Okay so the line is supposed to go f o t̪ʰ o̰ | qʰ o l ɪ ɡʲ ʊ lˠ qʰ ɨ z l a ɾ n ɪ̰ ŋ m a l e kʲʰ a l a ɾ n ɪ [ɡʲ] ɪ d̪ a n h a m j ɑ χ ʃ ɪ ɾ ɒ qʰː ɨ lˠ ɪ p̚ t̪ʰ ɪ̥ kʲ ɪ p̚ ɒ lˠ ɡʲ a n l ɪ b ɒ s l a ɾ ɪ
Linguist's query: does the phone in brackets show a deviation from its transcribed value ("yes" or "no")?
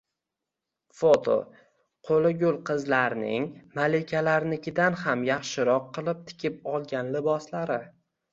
yes